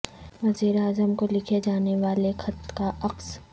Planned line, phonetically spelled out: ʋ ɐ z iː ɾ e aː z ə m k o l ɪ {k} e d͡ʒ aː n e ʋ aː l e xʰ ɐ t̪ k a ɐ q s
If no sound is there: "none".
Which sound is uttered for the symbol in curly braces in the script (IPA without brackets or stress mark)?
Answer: kʰ